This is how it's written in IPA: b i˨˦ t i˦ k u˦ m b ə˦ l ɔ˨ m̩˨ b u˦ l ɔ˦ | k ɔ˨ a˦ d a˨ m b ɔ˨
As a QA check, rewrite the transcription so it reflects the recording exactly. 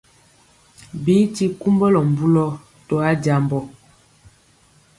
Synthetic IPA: b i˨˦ t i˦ k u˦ m b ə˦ l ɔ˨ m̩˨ b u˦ l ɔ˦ | t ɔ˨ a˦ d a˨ m b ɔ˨